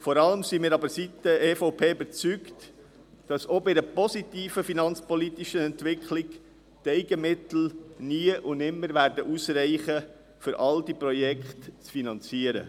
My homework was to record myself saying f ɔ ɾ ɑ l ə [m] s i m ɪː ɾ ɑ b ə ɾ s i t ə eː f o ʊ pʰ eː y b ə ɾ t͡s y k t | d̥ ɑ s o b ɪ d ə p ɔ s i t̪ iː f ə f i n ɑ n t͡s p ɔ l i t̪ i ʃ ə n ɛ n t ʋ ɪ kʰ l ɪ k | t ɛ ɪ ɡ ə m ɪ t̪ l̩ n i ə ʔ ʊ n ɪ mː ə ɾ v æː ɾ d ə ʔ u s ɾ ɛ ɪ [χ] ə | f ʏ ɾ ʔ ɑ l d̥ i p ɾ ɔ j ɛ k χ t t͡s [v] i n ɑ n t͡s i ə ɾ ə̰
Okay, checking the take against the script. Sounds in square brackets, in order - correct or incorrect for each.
correct, correct, incorrect

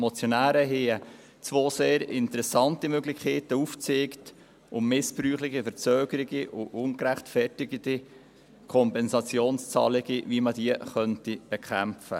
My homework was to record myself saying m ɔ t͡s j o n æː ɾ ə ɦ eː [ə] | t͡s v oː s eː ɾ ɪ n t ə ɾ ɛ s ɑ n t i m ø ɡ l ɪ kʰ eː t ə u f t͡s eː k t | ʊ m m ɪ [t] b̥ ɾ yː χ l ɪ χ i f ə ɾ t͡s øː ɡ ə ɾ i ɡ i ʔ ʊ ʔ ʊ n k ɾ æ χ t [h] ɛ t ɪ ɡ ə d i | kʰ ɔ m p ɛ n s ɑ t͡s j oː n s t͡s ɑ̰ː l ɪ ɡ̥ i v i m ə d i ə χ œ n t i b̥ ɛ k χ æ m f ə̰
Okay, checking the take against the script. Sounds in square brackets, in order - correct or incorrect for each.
correct, incorrect, incorrect

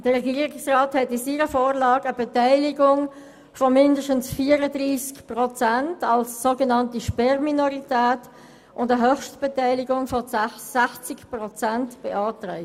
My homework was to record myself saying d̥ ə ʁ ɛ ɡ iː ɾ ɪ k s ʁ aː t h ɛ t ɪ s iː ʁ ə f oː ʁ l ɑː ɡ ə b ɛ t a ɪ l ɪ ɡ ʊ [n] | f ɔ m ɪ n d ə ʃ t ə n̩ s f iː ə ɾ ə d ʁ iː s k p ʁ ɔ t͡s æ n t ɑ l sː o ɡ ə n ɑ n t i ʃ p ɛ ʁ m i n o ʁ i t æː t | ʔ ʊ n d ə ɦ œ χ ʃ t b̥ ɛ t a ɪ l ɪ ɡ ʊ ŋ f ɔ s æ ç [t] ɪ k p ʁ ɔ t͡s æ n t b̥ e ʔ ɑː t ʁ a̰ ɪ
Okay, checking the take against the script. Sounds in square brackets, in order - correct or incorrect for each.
incorrect, incorrect

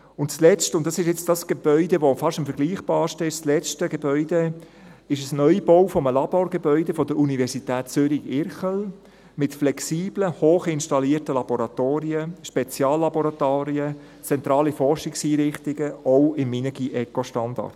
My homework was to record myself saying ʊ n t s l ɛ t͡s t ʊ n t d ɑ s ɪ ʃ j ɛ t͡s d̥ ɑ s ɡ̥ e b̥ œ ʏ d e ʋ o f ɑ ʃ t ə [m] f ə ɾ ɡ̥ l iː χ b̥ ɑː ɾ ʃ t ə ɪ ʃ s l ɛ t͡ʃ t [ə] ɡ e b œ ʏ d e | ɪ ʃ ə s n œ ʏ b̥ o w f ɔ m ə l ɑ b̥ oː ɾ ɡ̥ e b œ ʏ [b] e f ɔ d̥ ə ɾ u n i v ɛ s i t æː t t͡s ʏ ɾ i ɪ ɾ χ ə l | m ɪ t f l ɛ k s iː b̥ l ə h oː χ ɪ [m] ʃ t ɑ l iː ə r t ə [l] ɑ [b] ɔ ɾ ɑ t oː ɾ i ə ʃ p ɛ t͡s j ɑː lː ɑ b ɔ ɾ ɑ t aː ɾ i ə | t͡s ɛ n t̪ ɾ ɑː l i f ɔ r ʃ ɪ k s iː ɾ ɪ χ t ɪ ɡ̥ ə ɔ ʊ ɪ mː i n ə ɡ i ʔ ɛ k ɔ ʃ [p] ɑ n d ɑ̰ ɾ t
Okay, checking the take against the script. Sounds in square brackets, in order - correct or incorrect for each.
correct, correct, incorrect, incorrect, correct, correct, incorrect

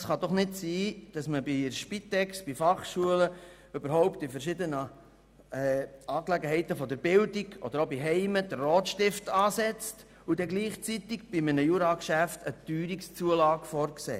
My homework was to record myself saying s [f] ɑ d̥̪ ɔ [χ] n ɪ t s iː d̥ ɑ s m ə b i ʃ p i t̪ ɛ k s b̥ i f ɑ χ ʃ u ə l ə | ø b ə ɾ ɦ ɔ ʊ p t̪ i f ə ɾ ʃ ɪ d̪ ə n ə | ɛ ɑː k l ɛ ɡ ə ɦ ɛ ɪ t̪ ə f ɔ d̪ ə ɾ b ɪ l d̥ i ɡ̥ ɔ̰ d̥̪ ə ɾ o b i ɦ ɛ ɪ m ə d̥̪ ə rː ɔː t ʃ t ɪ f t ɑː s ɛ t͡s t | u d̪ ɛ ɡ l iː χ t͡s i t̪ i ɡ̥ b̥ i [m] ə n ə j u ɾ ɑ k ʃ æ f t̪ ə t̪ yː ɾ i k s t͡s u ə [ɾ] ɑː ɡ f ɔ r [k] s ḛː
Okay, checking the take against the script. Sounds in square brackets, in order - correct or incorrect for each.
incorrect, correct, correct, incorrect, correct

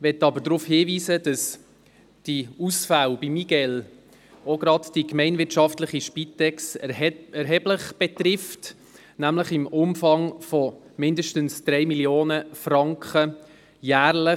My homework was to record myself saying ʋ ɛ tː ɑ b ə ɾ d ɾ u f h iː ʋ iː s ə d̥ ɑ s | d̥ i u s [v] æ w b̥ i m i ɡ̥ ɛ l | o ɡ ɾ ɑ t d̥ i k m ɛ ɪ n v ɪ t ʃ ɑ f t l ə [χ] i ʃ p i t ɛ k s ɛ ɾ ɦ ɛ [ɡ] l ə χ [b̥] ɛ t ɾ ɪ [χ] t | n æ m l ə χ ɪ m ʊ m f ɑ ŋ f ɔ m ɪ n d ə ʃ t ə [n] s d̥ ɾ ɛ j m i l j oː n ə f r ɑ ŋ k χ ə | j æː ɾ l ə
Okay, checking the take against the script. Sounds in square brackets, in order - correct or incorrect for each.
incorrect, correct, incorrect, correct, incorrect, correct

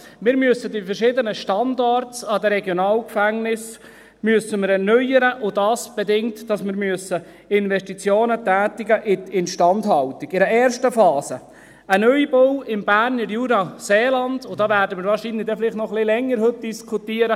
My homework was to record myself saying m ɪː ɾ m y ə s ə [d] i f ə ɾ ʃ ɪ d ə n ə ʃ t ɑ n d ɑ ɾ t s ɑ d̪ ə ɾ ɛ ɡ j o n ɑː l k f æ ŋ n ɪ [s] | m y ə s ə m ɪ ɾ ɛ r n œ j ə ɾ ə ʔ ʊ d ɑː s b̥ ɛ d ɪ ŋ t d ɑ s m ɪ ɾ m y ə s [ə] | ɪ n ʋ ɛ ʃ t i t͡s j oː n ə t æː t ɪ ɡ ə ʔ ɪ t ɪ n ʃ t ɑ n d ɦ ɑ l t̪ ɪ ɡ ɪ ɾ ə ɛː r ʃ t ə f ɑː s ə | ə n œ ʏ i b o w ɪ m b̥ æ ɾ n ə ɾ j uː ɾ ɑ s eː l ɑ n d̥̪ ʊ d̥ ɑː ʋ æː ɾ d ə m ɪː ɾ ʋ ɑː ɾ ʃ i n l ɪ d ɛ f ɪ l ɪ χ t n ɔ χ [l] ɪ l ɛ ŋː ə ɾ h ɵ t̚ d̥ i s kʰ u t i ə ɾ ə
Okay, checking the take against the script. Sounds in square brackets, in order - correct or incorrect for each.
correct, correct, correct, correct

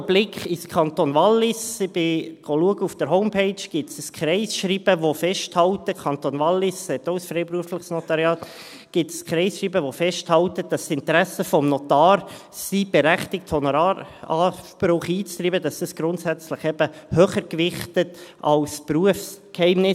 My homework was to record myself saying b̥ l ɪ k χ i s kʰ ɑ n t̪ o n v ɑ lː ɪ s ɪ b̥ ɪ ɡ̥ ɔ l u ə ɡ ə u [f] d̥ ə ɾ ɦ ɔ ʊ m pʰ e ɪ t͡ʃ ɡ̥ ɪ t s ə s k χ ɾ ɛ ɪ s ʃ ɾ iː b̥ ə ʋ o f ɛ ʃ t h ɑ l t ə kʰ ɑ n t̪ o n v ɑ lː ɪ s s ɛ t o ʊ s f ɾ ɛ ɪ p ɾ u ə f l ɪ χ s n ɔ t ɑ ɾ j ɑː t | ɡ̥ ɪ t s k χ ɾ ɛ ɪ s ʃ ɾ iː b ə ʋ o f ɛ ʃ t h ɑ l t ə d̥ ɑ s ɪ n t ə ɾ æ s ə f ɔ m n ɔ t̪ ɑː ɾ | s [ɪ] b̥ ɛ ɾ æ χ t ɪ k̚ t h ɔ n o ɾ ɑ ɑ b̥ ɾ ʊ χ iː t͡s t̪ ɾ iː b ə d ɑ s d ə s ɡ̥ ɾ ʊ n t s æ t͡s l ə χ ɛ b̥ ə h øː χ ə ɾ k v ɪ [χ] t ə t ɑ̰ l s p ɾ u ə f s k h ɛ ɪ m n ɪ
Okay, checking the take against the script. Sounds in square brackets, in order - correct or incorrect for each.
correct, incorrect, correct

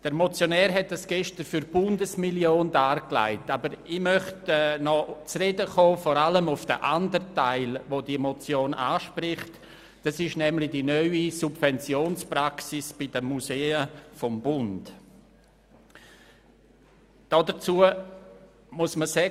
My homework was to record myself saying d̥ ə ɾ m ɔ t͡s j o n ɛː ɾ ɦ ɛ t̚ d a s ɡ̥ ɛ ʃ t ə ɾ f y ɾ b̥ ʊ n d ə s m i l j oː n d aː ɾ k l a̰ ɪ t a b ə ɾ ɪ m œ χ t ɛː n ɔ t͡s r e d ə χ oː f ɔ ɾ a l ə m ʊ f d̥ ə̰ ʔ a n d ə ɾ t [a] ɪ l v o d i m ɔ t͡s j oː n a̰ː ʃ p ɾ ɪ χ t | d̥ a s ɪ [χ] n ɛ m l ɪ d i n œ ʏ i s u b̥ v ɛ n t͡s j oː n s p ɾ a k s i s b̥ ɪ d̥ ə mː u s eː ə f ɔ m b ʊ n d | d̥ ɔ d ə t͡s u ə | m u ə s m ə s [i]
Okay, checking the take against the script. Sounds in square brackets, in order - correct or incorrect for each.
correct, incorrect, incorrect

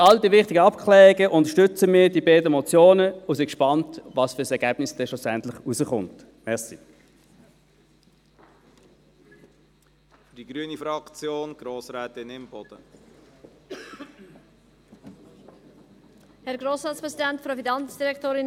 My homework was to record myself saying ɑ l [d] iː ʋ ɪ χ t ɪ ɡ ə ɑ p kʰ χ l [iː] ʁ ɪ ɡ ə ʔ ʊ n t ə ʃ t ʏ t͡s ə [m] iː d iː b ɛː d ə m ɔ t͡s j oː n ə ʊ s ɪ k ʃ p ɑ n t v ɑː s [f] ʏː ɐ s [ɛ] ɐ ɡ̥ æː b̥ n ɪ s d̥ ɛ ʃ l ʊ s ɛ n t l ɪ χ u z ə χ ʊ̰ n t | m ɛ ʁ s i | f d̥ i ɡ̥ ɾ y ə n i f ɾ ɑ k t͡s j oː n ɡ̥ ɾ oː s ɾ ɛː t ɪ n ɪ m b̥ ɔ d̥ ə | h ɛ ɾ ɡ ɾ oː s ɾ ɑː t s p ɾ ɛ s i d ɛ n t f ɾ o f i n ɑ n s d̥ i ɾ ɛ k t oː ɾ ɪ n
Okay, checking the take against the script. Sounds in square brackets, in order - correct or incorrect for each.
correct, incorrect, correct, correct, correct

